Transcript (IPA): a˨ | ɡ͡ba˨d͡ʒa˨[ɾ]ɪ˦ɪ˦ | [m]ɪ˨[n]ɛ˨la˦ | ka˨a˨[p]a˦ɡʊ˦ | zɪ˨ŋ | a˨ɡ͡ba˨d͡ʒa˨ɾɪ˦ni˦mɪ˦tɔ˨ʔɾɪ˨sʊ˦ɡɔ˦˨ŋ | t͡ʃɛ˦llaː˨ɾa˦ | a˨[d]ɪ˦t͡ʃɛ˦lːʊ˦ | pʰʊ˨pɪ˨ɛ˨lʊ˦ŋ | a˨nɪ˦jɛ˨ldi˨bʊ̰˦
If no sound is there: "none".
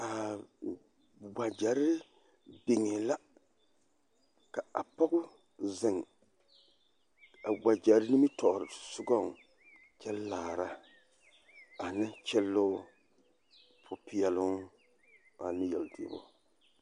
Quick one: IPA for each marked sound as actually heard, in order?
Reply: ɾ, b, ŋ, p, n

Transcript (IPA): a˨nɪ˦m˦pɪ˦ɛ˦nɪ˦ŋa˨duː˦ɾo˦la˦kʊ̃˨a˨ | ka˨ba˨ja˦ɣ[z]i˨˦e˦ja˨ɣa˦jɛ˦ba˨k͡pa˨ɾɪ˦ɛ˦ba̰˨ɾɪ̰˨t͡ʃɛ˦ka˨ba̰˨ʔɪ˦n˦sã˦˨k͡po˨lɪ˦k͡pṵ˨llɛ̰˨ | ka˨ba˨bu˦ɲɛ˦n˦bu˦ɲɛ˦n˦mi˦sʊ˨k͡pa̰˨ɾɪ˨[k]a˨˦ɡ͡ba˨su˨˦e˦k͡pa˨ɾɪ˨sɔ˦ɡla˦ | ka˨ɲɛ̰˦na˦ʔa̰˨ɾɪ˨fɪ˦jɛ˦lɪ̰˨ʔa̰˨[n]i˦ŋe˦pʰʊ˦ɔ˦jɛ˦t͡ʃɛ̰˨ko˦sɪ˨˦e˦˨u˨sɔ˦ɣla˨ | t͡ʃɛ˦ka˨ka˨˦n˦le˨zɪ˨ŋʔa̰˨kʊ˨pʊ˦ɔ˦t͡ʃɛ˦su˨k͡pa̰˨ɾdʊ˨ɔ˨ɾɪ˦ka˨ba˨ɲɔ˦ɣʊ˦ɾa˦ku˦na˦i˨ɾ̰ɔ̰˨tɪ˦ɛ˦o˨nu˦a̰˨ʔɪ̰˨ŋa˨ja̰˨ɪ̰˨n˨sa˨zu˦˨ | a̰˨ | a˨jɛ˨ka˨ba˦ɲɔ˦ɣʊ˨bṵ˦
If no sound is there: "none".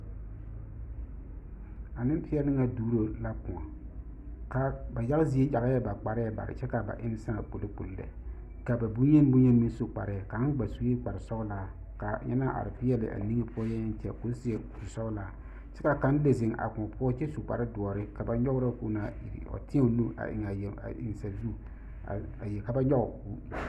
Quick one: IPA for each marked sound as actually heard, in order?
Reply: z, k, n

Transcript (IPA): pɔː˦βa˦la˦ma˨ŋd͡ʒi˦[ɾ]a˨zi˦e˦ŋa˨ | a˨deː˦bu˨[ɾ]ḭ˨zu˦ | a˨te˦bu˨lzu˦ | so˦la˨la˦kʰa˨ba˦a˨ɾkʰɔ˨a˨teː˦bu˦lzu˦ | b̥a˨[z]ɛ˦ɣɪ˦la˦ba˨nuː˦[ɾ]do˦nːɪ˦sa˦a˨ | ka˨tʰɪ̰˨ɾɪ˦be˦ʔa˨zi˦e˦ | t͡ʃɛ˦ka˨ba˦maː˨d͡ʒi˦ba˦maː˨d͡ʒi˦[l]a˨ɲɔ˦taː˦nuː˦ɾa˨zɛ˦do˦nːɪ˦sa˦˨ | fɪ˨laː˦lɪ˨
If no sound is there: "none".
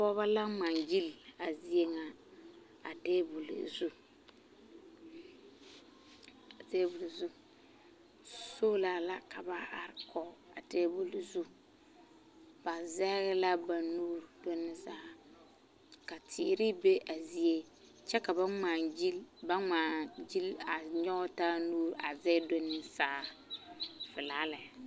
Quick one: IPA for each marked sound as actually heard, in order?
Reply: l, l, z, ɾ, l

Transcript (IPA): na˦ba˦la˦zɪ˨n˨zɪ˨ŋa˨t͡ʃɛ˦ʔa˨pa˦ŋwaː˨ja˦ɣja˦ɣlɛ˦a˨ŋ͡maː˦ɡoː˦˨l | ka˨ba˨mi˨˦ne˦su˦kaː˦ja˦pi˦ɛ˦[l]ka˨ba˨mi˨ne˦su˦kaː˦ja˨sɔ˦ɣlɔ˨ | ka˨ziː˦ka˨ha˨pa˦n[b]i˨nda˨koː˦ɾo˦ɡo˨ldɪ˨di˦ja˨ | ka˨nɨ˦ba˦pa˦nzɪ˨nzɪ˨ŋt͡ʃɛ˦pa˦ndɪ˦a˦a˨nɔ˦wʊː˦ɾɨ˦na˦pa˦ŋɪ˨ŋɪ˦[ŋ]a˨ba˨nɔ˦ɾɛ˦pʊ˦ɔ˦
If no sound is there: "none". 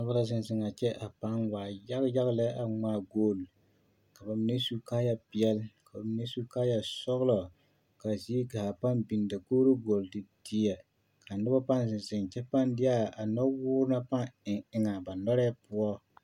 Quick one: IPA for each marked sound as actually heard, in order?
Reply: l, b, ŋ

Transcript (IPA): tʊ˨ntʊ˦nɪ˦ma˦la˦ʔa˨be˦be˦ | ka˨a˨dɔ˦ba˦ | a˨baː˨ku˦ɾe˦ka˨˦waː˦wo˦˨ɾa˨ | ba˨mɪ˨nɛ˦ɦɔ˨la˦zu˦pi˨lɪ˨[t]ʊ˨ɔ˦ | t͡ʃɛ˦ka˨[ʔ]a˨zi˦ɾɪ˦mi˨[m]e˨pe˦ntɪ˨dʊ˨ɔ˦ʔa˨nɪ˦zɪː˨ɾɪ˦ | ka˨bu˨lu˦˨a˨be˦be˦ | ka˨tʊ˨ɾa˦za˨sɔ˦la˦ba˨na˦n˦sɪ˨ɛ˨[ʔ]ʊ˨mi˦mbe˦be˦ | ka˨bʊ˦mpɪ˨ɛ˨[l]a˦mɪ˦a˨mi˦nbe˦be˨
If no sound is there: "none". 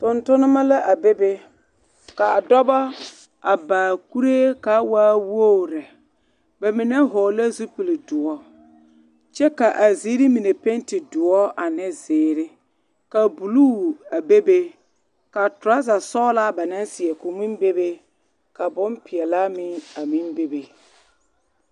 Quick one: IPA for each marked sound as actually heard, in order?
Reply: d, ʔ, n, k, l

